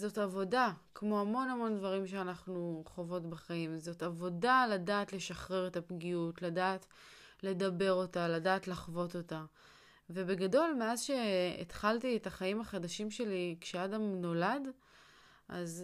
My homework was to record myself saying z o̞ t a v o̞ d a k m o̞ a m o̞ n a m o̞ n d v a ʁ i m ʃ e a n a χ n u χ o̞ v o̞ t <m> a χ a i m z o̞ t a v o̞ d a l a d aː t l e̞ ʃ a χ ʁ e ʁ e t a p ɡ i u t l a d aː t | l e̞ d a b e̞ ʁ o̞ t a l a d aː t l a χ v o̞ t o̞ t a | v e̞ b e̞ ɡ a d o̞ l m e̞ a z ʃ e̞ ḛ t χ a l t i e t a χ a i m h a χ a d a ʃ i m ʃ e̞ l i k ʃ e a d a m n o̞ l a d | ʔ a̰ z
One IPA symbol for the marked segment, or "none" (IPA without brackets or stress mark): b